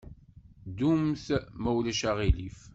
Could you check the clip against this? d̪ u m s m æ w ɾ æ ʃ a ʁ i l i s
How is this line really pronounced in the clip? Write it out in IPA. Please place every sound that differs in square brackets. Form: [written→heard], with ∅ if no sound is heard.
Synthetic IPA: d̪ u m [s→θ] m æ w [ɾ→l] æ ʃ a ʁ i l i [s→f]